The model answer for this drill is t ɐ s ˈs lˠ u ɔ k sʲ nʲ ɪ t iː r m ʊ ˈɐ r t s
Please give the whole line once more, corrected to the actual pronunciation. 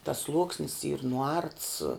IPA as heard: t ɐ s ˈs lˠ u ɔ k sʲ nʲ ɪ s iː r n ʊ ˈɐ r t s